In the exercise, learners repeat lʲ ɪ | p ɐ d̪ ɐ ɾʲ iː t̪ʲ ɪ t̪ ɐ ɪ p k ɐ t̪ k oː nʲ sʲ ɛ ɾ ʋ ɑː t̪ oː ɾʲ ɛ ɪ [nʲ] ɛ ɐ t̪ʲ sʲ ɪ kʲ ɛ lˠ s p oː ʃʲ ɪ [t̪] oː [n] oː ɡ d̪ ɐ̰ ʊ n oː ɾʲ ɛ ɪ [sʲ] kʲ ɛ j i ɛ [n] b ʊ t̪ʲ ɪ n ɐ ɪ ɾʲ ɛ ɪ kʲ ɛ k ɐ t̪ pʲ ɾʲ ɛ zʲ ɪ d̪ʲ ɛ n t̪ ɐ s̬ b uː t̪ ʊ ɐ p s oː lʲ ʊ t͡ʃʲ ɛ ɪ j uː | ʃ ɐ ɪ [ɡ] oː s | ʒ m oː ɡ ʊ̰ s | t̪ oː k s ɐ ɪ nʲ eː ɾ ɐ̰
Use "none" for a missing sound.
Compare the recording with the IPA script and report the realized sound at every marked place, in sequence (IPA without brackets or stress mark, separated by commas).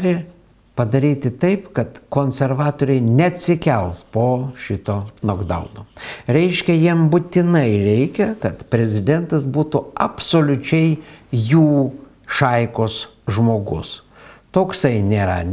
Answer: nʲ, t̪, n, ʃʲ, m, k